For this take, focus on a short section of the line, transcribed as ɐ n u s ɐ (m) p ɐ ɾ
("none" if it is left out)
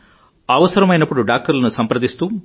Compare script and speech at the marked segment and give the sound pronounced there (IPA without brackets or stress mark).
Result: m